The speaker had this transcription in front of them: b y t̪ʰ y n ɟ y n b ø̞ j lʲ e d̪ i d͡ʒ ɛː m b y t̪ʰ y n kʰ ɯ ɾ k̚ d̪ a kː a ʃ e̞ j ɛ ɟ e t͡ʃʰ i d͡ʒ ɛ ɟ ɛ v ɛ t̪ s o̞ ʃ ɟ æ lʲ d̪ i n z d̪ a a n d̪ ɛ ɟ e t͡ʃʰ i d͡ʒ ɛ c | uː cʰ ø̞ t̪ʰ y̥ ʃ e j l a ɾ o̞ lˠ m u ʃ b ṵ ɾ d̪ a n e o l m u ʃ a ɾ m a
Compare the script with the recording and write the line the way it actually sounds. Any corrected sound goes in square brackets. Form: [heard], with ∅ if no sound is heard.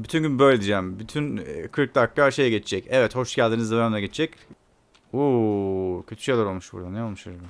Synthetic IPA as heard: b y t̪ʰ y n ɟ y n b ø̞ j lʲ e d̪ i d͡ʒ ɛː m b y t̪ʰ y n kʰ ɯ ɾ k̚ d̪ a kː a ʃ e̞ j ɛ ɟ e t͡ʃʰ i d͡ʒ ɛ [c] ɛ v ɛ t̪ [h] o̞ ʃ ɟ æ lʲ d̪ i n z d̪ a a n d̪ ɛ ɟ e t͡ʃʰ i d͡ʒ ɛ c | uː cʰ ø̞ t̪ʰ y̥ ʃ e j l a ɾ o̞ lˠ m u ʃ b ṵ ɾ d̪ a n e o l m u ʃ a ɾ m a

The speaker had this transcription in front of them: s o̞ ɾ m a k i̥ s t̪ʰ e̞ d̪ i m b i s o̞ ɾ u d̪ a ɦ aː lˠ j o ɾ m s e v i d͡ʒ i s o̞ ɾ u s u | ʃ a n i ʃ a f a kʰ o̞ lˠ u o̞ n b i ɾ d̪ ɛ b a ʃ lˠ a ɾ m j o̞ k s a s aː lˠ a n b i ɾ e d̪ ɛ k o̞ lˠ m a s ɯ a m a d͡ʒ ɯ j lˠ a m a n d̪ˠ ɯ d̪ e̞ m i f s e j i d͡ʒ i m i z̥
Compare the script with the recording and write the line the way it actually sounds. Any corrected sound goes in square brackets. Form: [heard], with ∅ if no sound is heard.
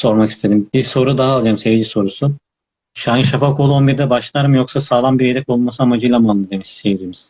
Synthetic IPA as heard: s o̞ ɾ m a k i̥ s t̪ʰ e̞ d̪ i m b i s o̞ ɾ u d̪ a ɦ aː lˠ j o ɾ m s e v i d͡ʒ i s o̞ ɾ u s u | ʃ a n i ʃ a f a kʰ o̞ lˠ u o̞ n b i ɾ d̪ ɛ b a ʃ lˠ a ɾ m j o̞ k s a s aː lˠ a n b i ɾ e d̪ ɛ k o̞ lˠ m a s ɯ a m a d͡ʒ ɯ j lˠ a m a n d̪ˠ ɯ d̪ e̞ m i [ʃ] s e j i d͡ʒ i m i z̥

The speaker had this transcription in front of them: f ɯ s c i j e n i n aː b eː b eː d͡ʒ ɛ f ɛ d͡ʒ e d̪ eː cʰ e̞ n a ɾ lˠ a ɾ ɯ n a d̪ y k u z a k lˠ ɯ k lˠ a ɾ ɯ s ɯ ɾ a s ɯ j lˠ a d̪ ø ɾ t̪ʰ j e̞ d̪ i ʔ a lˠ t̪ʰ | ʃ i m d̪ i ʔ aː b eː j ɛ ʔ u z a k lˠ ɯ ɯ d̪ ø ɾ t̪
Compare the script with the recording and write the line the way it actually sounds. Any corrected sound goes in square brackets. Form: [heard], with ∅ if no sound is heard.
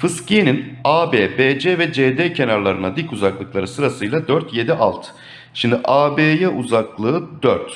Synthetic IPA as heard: f ɯ s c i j e n i n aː b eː b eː d͡ʒ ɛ [v] ɛ d͡ʒ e d̪ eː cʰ e̞ n a ɾ lˠ a ɾ ɯ n a d̪ [i] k u z a k lˠ ɯ k lˠ a ɾ ɯ s ɯ ɾ a s ɯ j lˠ a d̪ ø ɾ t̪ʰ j e̞ d̪ i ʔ a lˠ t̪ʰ | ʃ i m d̪ i ʔ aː b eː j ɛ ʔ u z a k lˠ ɯ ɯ d̪ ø ɾ t̪

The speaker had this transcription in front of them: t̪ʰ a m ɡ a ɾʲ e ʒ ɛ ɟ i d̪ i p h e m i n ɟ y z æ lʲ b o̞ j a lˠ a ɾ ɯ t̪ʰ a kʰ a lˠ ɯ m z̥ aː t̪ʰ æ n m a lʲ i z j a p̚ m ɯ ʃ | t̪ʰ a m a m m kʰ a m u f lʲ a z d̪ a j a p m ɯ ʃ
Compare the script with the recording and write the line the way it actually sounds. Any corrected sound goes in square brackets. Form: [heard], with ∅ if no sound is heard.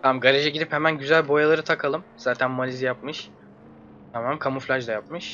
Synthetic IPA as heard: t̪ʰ a m ɡ a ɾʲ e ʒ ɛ ɟ i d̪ i p h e m [æ] n ɟ y z æ lʲ b o̞ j a lˠ a ɾ ɯ t̪ʰ a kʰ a lˠ ɯ m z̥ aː t̪ʰ æ n m a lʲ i z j a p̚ m ɯ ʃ | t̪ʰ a m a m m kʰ a m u f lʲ a [ʒ] d̪ a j a p m ɯ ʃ

